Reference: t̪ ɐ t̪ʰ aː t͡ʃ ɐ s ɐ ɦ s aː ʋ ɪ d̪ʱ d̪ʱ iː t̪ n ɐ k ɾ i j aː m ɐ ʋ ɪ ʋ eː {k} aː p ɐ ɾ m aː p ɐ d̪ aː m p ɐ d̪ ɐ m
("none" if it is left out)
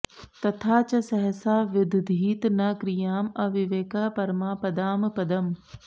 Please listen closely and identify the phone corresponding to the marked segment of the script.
k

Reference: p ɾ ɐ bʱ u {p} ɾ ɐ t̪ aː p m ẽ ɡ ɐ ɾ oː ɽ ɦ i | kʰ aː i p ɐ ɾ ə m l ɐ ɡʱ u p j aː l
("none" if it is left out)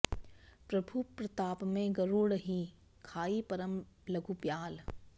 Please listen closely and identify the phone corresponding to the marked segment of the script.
p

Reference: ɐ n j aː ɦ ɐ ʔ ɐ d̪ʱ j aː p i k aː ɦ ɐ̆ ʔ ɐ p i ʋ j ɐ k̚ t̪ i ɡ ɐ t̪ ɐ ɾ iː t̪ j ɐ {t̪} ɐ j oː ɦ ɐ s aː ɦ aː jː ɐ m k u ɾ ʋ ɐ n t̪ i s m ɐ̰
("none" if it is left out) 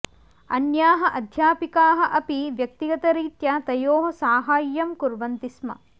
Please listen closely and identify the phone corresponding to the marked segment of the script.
t̪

